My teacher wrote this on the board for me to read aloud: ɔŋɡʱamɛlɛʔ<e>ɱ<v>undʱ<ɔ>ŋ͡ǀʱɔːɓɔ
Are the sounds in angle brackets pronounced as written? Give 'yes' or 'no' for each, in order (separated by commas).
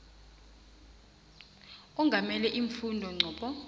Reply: no, no, yes